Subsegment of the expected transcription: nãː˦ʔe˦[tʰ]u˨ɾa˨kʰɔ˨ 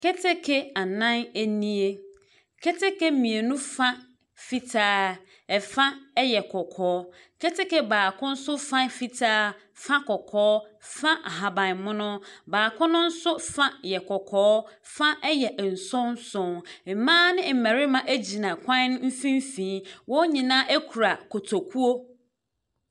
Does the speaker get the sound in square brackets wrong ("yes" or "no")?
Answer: yes